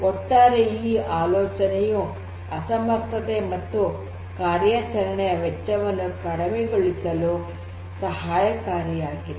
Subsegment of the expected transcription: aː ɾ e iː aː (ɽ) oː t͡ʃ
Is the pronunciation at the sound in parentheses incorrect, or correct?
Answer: incorrect